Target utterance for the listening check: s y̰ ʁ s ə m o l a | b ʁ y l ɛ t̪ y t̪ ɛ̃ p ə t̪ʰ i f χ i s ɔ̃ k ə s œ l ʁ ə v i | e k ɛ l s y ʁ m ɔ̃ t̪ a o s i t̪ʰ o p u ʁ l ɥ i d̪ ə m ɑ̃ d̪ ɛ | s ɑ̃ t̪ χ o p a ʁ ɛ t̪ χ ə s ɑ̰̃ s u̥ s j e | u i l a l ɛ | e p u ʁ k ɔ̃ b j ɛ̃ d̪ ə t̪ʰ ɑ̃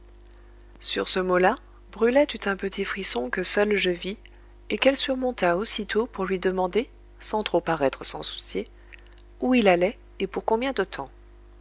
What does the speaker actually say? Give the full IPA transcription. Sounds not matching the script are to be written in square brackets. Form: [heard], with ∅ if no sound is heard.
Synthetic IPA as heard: s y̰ ʁ s ə m o l a | b ʁ y l ɛ t̪ y t̪ ɛ̃ p ə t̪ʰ i f χ i s ɔ̃ k ə s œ l [ʒ] ə v i | e k ɛ l s y ʁ m ɔ̃ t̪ a o s i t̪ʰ o p u ʁ l ɥ i d̪ ə m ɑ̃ d̪ [e] | s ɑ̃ t̪ χ o p a ʁ ɛ t̪ χ ə s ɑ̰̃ s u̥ s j e | u i l a l ɛ | e p u ʁ k ɔ̃ b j ɛ̃ d̪ ə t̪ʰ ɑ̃